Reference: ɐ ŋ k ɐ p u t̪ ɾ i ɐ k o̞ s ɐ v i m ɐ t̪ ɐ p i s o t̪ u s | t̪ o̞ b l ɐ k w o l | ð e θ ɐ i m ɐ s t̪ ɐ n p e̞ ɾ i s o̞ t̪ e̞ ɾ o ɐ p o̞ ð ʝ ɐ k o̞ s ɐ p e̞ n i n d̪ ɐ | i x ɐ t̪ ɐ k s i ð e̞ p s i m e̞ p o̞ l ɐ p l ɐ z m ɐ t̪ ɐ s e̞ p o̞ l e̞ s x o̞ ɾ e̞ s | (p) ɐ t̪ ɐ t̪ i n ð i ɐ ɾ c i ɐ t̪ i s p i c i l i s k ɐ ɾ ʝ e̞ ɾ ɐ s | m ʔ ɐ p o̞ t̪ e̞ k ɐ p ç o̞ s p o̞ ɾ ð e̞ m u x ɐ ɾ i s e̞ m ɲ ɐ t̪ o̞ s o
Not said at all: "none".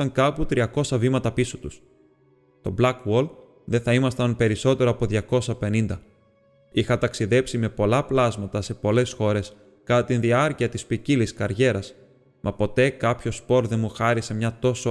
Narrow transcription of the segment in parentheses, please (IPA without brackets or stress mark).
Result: k